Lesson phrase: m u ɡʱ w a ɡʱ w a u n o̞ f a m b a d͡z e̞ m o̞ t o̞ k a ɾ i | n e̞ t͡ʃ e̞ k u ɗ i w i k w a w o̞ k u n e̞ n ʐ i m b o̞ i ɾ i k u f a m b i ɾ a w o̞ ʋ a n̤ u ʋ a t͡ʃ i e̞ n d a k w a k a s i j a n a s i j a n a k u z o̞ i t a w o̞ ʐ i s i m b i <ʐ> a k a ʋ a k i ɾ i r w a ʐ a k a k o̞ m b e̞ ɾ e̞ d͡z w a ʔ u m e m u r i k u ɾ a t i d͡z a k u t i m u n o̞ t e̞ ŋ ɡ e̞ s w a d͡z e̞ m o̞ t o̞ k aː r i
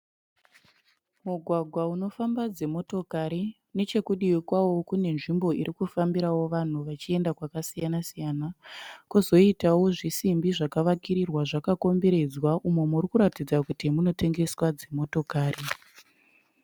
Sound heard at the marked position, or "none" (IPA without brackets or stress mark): ʐ